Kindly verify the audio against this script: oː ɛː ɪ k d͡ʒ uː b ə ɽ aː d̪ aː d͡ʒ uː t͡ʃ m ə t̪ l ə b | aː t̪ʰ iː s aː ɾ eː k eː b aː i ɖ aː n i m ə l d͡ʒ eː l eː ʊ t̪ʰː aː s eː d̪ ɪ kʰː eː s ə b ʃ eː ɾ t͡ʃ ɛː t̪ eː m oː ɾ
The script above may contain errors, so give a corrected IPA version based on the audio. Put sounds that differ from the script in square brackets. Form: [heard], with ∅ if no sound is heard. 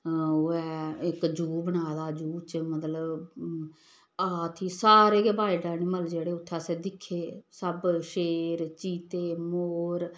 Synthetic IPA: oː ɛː ɪ k d͡ʒ uː b ə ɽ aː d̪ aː d͡ʒ uː t͡ʃ m ə t̪ l ə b | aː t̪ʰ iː s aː ɾ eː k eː b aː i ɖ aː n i m ə l d͡ʒ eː [ɽ] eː ʊ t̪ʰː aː s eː d̪ ɪ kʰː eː s ə b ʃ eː ɾ t͡ʃ [iː] t̪ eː m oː ɾ